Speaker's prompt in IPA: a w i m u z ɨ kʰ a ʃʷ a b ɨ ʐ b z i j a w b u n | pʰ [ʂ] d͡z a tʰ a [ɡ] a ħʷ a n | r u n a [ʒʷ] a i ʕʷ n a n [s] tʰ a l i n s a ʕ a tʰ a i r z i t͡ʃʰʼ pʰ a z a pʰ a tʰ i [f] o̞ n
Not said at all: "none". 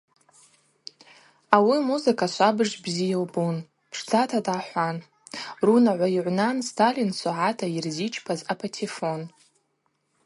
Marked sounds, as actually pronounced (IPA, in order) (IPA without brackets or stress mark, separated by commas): ʂ, d, ʕʷ, s, f